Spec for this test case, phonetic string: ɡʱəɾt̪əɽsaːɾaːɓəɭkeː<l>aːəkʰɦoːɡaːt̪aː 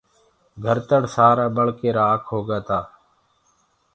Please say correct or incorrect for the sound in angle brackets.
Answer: incorrect: ɾ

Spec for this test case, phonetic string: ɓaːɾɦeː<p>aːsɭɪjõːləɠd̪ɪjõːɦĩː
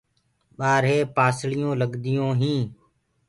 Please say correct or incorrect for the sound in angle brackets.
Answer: correct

